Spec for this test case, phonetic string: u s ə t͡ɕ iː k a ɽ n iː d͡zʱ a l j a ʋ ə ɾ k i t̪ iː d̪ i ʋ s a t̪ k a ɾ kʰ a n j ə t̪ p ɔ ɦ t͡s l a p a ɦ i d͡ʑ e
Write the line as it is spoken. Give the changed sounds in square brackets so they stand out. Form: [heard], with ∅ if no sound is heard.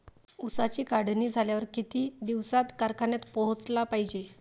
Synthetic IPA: u s [a] t͡ɕ iː k a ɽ n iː d͡zʱ a l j a ʋ ə ɾ k i t̪ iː d̪ i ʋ s a t̪ k a ɾ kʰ a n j [a] t̪ p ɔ ɦ t͡s l a p a ɦ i d͡ʑ e